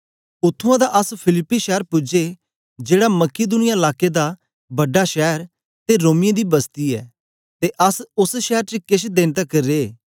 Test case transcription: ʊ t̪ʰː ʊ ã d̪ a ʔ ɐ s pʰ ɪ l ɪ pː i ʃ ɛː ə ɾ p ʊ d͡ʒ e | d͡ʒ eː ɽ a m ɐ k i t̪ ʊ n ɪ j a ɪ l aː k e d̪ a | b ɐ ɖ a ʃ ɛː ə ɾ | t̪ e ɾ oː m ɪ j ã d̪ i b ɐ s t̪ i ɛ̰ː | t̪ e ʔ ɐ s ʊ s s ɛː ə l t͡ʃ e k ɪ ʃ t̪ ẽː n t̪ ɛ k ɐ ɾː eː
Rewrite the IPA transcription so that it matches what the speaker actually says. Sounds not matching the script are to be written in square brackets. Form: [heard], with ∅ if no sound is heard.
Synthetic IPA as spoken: ʊ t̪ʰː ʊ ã d̪ a ʔ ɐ s pʰ ɪ l ɪ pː i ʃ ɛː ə ɾ p ʊ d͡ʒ e | d͡ʒ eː ɽ a m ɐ k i [d̪] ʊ n ɪ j a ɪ l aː k e d̪ a | b ɐ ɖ a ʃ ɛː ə ɾ | t̪ e ɾ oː m ɪ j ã d̪ i b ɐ s t̪ i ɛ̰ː | t̪ e ʔ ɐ s ʊ s [ʃ] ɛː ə [ɾ] t͡ʃ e k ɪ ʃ [d̪] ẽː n t̪ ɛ k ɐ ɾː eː